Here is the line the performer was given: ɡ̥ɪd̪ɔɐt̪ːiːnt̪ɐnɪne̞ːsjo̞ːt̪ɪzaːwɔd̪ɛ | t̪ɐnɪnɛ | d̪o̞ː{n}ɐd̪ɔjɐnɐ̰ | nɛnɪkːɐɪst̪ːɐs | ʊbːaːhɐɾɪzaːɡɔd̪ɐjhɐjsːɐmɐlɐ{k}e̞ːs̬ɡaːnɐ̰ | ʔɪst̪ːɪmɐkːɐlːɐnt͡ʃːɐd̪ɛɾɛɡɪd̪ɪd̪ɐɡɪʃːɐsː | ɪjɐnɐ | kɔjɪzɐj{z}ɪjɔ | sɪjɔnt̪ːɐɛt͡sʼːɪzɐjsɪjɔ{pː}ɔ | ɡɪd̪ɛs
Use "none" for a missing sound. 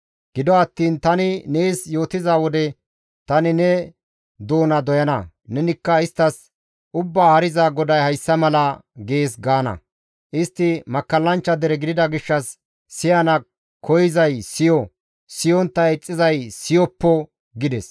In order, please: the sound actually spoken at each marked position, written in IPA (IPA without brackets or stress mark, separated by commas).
n, ɡ, s, pː